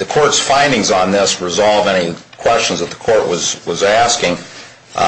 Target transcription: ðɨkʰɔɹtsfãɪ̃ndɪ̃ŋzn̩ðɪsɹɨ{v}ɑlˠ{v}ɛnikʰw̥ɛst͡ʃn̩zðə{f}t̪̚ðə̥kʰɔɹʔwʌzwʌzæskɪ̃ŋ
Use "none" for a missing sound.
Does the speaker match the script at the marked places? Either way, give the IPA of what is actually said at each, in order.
z, v, none

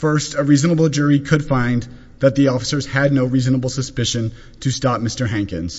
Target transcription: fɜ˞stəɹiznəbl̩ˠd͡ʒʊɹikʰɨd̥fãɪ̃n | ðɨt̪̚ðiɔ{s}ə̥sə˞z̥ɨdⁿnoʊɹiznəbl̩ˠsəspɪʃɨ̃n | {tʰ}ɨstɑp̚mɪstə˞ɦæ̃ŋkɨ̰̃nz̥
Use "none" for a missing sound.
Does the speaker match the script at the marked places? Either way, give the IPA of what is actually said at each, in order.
f, tʰ

